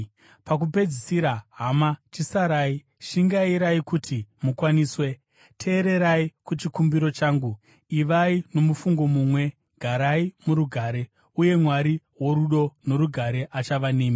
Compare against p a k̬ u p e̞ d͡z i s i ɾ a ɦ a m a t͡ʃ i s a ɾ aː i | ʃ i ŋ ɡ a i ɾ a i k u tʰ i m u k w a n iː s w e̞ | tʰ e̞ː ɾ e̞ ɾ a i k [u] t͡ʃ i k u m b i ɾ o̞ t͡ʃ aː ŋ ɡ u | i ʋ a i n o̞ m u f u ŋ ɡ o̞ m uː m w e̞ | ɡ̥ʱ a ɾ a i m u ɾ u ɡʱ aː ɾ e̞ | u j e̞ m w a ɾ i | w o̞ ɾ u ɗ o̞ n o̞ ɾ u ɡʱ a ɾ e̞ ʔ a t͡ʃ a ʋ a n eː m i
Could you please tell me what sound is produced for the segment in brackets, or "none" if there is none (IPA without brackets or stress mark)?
u